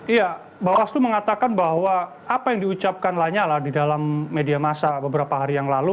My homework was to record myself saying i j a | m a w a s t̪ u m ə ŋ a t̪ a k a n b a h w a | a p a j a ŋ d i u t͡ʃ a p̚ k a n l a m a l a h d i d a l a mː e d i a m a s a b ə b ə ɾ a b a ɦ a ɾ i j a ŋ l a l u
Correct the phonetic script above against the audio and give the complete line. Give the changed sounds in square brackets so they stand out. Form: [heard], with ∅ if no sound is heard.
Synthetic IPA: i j a | [b] a w a s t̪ u m ə ŋ a t̪ a k a n b a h w a | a p a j a ŋ d i u t͡ʃ a p̚ k a n l a [ɲ] a l a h d i d a l a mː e d i a m a s a b ə b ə ɾ a [p] a ɦ a ɾ i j a ŋ l a l u

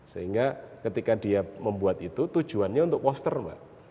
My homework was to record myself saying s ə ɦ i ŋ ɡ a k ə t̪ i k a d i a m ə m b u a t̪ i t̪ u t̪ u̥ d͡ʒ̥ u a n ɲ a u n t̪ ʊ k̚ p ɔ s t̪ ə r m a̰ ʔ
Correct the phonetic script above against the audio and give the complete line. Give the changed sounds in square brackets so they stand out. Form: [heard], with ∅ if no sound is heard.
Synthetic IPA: s ə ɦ i ŋ ɡ a k ə t̪ i k a d i a m ə m b u a t̪ i t̪ u t̪ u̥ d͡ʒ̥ u a n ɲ a u n t̪ ʊ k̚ p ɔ s t̪ ə r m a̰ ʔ

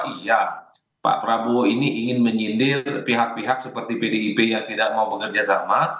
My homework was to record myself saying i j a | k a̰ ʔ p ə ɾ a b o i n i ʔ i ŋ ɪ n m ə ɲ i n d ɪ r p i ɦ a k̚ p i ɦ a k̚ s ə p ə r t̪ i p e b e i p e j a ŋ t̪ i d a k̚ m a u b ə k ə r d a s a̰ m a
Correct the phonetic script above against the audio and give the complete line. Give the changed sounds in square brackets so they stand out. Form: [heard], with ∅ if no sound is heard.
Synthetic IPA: i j a | [p] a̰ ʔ p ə ɾ a b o i n i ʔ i ŋ ɪ n m ə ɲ i n d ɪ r p i ɦ a k̚ p i ɦ a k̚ s ə p ə r t̪ i p e [d] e i p e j a ŋ t̪ i d a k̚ m a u b ə k ə r [d͡ʒ] a s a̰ m a

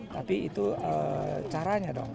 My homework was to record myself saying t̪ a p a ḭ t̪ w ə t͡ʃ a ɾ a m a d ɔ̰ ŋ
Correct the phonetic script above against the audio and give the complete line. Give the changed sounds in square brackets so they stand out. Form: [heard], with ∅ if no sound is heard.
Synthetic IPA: t̪ a p [i] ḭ t̪ [u] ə t͡ʃ a ɾ a [ɲ] a d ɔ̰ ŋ

